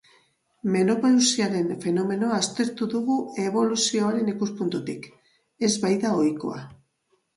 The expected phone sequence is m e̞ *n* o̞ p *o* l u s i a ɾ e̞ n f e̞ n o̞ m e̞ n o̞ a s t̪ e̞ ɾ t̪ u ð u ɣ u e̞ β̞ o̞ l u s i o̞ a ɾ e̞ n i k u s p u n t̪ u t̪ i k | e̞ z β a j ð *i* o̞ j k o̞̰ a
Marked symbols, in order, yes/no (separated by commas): yes, yes, no